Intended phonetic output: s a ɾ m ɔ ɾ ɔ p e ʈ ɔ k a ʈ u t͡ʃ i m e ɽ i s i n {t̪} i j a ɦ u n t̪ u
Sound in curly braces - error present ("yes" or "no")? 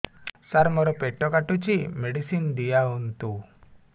yes